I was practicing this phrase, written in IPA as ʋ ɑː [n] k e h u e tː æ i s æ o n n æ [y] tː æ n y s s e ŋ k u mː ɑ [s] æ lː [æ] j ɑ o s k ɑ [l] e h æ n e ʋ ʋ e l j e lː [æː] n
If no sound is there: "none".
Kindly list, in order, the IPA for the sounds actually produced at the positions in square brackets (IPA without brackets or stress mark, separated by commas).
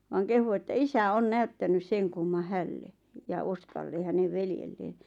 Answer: ŋ, y, h, e, lː, eː